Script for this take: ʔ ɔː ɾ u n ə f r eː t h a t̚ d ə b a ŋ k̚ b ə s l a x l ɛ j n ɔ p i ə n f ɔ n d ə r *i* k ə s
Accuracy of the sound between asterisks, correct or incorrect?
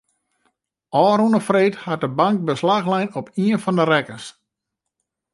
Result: incorrect